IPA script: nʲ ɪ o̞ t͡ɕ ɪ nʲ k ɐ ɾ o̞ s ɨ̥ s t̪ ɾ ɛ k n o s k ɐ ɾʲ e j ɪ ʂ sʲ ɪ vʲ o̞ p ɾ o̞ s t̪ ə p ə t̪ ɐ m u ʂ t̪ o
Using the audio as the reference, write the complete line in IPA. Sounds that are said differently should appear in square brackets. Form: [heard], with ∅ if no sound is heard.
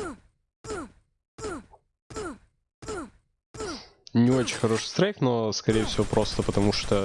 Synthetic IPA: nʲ ɪ o̞ t͡ɕ ɪ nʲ [x] ɐ ɾ o̞ [ʂ] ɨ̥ s t̪ ɾ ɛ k n o s k ɐ ɾʲ e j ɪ [f] sʲ ɪ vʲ o̞ p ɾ o̞ s t̪ ə p ə t̪ ɐ m u ʂ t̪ o